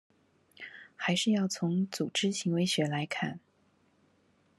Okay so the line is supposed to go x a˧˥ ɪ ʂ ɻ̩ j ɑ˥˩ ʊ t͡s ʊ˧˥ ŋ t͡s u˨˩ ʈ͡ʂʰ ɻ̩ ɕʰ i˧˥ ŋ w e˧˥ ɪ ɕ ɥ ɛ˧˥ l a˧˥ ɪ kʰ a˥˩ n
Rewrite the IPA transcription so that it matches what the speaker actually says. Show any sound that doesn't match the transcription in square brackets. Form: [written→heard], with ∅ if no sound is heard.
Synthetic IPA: x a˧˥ ɪ ʂ ɻ̩ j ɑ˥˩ ʊ [t͡s→t͡sʰ] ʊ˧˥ ŋ t͡s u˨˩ [ʈ͡ʂʰ→ʈ͡ʂ] ɻ̩ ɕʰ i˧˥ ŋ w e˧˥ ɪ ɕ ɥ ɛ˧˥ l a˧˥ ɪ kʰ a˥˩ n